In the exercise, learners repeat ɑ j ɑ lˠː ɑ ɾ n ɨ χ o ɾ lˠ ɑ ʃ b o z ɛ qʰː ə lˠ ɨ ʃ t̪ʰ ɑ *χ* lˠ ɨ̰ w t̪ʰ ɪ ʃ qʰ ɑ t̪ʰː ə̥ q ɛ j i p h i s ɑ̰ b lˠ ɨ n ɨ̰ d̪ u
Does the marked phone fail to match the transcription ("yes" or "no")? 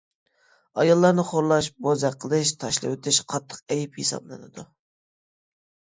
yes